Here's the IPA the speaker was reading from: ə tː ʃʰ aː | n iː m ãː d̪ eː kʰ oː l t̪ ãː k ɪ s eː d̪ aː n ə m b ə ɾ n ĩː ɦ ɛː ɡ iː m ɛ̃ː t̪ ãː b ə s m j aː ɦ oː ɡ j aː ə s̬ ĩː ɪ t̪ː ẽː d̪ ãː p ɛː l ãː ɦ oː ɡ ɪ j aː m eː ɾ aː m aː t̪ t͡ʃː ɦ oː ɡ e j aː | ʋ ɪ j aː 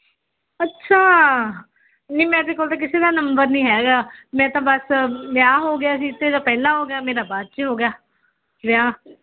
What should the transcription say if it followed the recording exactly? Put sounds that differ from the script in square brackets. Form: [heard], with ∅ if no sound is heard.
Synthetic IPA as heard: ə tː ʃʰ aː | n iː m [ɛ̃ː] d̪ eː [k] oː l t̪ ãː k ɪ s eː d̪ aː n ə m b ə ɾ n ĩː ɦ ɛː ɡ [aː] m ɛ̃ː t̪ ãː b ə s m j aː ɦ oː ɡ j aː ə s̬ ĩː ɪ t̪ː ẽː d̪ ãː p ɛː l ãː ɦ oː ɡ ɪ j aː m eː ɾ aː [b] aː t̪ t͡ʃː ɦ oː ɡ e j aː | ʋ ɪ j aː